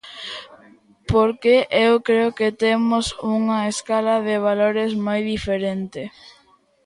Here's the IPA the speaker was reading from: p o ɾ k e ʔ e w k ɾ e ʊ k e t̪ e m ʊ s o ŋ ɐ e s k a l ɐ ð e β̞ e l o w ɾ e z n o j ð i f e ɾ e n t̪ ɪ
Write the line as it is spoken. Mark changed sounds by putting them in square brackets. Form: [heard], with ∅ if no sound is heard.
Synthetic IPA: p o ɾ k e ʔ e w k ɾ e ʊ k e t̪ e m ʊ s [u] ŋ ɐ e s k a l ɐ ð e β̞ [a] l o [∅] ɾ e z [m] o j ð i f e ɾ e n t̪ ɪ